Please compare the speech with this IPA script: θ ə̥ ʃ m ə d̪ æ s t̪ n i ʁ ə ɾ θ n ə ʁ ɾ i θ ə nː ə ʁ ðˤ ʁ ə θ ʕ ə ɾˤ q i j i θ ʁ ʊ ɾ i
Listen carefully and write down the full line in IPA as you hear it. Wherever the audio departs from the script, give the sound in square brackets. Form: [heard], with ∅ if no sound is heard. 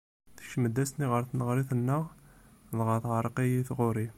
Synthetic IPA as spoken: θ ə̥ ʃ m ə d̪ æ s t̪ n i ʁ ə ɾ θ n ə ʁ ɾ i θ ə nː ə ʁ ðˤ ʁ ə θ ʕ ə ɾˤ q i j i θ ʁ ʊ ɾ i